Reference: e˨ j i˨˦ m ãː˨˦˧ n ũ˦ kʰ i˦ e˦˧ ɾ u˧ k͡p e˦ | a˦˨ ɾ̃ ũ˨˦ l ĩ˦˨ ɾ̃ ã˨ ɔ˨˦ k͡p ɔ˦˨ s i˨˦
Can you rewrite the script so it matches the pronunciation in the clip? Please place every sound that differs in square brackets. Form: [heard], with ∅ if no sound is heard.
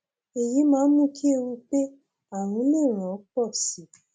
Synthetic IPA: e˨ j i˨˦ m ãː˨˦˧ [m] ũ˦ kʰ i˦ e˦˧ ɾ u˧ k͡p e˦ | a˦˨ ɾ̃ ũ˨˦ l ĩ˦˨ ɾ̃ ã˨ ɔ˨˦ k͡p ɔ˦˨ s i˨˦